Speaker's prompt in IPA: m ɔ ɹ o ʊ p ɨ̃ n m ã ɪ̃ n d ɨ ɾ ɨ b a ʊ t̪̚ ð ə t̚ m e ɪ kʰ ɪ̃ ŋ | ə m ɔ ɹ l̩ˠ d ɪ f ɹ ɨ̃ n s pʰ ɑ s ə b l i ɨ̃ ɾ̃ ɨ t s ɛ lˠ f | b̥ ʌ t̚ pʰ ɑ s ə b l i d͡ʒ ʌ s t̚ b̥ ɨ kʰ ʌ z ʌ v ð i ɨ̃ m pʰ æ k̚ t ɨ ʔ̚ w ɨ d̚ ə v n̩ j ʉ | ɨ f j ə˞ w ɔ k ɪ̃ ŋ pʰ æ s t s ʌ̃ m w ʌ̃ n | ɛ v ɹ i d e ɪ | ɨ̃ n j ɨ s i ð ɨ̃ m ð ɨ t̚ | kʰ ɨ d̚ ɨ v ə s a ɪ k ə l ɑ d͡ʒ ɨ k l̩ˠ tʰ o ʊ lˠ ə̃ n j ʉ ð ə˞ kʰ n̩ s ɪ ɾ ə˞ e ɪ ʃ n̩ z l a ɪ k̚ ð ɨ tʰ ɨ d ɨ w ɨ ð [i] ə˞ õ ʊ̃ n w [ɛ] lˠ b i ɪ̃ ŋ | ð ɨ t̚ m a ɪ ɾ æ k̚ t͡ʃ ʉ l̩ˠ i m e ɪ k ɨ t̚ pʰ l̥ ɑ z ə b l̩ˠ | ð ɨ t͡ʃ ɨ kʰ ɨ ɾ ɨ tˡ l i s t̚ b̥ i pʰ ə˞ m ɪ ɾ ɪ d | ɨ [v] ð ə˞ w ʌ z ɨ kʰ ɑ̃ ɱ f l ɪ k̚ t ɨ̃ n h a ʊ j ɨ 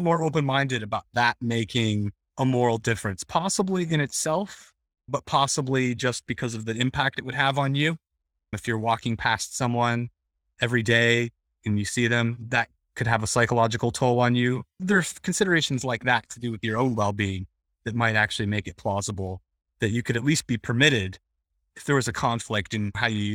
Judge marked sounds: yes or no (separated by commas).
no, yes, no